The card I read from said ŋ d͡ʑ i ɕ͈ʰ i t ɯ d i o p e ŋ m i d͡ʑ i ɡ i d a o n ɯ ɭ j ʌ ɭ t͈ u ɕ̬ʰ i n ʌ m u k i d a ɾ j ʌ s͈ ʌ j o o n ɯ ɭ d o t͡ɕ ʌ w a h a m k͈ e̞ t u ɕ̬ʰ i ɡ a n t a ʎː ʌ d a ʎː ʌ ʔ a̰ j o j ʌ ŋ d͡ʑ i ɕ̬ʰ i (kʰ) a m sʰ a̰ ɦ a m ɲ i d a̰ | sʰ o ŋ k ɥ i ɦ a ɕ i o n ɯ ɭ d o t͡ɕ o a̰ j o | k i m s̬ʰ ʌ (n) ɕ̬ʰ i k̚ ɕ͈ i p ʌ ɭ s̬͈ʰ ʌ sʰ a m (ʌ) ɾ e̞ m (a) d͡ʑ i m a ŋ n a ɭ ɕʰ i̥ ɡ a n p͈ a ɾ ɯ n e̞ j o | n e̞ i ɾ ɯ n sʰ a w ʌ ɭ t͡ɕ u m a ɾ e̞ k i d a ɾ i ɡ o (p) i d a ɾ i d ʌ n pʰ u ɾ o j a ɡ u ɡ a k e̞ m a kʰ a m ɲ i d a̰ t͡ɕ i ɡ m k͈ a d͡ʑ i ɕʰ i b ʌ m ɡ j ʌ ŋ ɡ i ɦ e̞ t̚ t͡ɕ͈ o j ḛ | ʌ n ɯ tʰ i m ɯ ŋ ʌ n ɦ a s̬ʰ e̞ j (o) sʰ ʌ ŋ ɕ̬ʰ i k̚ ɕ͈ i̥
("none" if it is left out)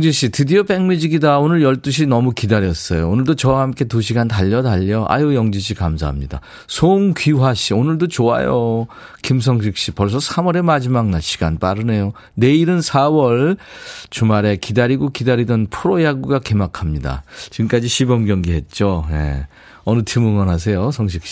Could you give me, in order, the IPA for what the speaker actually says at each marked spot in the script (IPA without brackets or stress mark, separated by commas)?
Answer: k, ŋ, ʌ, a, k, o